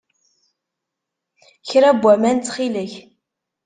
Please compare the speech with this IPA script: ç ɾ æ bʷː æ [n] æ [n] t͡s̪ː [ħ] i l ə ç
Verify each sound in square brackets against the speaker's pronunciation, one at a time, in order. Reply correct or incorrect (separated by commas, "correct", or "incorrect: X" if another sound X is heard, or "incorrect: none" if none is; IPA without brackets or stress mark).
incorrect: m, correct, incorrect: χ